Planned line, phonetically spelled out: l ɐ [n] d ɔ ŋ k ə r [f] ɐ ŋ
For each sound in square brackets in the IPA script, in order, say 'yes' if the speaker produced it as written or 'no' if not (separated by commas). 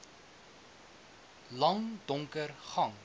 no, no